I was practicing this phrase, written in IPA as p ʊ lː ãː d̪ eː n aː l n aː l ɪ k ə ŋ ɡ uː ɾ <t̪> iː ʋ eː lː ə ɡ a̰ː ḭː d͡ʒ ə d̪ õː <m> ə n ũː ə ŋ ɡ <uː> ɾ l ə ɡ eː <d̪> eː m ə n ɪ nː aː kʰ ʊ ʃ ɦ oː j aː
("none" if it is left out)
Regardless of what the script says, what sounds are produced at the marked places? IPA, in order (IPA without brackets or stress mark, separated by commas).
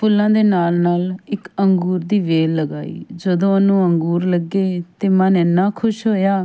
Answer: d̪, none, uː, t̪